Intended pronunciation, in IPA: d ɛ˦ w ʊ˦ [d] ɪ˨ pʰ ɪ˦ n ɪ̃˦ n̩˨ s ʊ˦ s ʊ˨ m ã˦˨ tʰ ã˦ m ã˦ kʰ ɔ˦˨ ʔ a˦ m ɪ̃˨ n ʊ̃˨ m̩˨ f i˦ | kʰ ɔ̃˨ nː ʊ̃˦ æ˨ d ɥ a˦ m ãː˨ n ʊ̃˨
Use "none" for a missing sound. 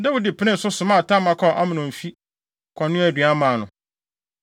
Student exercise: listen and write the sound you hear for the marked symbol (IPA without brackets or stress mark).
d